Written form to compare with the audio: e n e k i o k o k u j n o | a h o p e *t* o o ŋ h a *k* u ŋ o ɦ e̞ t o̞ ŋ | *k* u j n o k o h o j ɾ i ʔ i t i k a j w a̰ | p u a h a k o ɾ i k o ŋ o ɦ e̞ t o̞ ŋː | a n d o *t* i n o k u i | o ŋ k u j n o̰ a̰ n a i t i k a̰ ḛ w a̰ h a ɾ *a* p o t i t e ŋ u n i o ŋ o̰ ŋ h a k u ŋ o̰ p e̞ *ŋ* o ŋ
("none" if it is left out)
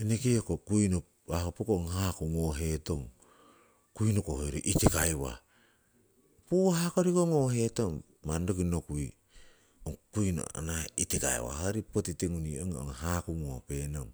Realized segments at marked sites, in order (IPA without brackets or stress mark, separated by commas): k, k, k, k, i, n